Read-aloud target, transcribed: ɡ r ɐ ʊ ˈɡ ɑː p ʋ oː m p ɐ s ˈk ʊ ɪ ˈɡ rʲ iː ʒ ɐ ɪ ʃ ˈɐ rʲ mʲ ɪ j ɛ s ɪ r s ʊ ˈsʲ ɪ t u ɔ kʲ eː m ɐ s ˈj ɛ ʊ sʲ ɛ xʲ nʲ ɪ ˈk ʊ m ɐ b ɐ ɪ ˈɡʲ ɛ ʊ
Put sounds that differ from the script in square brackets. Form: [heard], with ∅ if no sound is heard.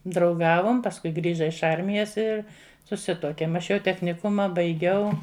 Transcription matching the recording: [d] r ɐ ʊ ˈɡ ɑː [∅] ʋ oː m p ɐ s ˈk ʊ ɪ ˈɡ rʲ iː ʒ ɐ ɪ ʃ ˈɐ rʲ mʲ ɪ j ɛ s ɪ r s ʊ ˈsʲ ɪ t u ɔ kʲ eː m ɐ [ʃ] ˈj ɛ ʊ [tʲ] ɛ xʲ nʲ ɪ ˈk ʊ m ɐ b ɐ ɪ ˈɡʲ ɛ ʊ